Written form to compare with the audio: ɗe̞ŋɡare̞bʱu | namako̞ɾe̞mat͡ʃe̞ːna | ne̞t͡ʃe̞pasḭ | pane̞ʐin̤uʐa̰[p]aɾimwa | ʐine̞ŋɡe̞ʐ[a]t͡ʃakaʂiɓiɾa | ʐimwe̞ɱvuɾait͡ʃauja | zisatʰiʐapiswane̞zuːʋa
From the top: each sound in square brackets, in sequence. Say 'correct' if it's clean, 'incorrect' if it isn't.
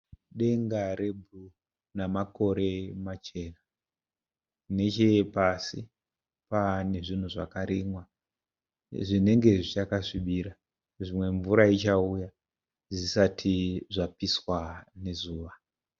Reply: incorrect, incorrect

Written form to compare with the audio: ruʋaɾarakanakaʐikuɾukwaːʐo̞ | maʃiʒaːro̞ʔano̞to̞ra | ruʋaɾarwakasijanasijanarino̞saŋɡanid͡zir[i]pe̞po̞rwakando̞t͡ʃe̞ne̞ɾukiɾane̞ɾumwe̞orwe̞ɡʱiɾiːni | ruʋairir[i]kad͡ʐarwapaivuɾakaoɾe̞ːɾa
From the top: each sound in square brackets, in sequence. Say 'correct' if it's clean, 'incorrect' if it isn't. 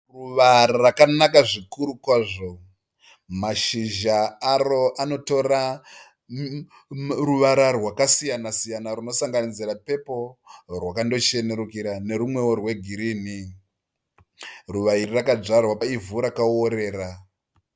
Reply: incorrect, incorrect

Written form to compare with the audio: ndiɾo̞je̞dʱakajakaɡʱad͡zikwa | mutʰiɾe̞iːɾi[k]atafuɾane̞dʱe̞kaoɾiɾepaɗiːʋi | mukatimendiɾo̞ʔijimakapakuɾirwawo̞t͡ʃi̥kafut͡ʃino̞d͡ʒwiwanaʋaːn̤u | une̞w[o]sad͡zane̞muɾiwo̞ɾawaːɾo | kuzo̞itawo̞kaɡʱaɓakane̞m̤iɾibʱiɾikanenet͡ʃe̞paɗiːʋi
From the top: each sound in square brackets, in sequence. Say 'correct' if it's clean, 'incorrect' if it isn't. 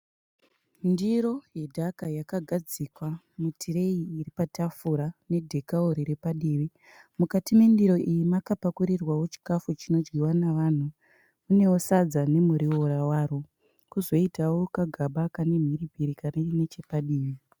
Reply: incorrect, correct

